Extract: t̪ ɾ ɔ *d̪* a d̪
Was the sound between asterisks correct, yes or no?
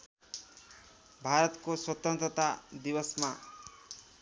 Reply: no